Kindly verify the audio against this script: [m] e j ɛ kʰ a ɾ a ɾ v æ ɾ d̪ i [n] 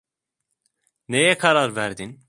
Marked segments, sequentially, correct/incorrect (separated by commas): incorrect, correct